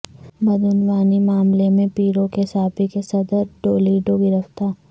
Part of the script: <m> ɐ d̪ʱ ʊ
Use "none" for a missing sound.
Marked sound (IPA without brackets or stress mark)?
b